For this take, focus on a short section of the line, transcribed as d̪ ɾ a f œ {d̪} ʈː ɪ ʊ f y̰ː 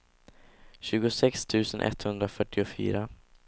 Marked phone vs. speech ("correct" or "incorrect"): incorrect